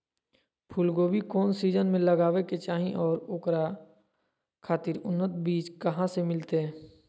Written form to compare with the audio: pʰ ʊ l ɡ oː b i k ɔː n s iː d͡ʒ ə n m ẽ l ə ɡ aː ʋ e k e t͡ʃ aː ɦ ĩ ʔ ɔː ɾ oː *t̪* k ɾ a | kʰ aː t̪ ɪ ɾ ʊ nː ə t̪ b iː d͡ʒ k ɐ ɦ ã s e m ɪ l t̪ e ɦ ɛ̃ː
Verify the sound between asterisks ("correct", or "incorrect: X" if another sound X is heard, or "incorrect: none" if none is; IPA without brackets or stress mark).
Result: incorrect: none